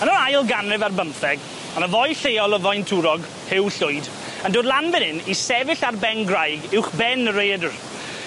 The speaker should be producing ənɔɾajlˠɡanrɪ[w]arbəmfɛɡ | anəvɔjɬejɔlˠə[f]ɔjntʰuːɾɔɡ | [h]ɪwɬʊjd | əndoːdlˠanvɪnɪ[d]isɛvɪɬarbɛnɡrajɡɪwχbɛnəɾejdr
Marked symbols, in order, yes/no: no, no, yes, no

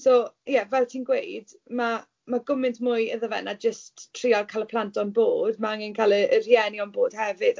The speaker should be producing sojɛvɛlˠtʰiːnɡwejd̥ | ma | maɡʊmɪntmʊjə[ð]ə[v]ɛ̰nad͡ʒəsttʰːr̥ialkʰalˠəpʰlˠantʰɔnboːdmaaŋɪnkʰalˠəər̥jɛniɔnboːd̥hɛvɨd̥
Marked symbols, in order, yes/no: yes, yes

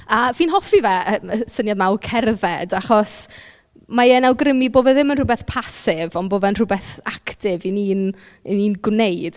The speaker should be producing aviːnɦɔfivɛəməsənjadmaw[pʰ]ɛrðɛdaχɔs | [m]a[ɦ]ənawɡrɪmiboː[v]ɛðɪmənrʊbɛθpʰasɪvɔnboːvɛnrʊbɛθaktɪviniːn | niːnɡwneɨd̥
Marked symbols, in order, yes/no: no, yes, no, yes

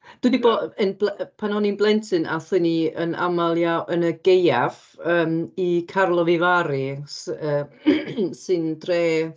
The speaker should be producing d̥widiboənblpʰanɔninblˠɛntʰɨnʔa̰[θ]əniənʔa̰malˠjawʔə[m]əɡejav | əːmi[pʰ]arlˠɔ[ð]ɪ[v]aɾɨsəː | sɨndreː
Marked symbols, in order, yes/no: yes, no, no, no, yes

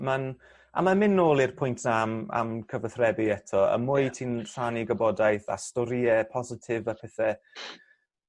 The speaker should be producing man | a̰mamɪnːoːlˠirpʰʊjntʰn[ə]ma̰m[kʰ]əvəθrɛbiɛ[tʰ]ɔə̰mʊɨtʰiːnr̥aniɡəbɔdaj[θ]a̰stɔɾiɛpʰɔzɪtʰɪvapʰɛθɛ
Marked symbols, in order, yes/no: no, yes, yes, yes

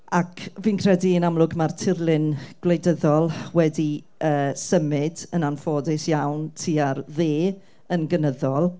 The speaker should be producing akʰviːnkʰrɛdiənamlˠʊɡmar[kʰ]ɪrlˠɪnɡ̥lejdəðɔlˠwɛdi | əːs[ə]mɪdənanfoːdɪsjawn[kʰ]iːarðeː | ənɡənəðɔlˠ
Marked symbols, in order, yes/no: no, yes, no

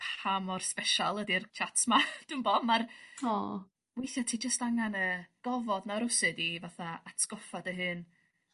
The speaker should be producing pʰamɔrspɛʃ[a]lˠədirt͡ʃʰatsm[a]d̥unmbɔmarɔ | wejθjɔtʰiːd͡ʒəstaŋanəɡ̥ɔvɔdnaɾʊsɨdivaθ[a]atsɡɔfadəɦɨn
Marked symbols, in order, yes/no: yes, yes, yes

